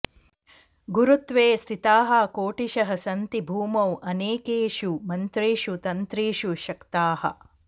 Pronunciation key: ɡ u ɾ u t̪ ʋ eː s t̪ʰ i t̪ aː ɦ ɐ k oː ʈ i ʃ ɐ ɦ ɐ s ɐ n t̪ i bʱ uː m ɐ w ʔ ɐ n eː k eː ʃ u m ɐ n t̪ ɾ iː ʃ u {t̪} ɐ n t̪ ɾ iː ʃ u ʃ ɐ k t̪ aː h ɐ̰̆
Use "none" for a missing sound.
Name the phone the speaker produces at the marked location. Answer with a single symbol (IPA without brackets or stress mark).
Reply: t̪